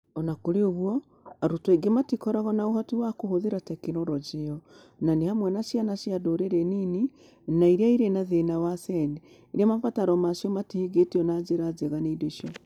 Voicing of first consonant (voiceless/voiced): voiced